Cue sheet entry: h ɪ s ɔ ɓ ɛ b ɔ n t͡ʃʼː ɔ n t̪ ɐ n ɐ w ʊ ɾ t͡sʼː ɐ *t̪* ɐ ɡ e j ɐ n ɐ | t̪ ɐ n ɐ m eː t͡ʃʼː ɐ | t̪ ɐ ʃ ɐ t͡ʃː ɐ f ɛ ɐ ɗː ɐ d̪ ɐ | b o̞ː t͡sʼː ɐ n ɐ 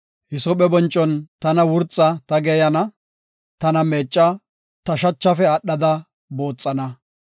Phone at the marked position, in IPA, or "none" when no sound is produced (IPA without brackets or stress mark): t̪